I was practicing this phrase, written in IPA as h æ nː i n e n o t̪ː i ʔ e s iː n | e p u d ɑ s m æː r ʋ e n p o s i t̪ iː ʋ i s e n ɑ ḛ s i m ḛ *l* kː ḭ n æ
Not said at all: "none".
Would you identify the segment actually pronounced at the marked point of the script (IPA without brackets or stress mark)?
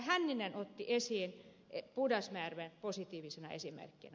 r